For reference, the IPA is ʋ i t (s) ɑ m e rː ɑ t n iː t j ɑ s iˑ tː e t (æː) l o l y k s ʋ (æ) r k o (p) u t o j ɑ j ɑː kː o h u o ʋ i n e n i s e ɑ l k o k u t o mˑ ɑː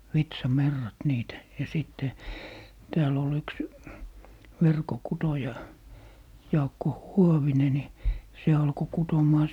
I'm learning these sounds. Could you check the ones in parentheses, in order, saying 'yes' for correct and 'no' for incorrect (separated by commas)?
yes, yes, no, no